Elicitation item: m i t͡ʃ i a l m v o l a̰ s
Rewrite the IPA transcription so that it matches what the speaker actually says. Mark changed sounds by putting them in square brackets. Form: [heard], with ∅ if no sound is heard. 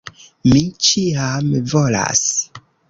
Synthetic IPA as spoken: m i t͡ʃ i a [∅] m v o l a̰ s